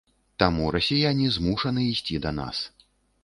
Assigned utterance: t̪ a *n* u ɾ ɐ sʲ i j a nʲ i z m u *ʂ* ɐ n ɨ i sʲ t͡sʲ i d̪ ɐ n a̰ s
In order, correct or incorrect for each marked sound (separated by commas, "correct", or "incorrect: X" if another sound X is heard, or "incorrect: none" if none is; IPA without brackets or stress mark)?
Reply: incorrect: m, correct